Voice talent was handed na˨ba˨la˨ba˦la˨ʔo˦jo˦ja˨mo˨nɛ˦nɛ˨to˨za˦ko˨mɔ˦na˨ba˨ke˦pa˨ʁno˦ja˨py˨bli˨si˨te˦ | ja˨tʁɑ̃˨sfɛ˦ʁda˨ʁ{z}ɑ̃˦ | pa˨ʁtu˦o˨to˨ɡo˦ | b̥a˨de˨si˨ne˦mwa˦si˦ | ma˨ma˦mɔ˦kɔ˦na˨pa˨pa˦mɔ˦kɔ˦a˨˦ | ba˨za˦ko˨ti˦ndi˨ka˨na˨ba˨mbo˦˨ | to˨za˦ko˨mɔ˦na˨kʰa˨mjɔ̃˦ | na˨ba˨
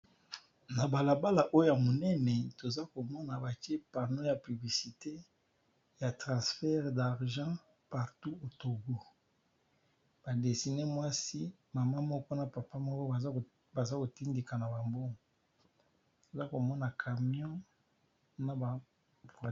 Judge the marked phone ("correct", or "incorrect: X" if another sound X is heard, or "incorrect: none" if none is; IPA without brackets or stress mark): incorrect: ʒ